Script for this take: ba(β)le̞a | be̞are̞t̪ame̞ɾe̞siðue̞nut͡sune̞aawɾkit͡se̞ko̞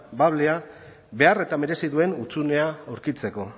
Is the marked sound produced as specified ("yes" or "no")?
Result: yes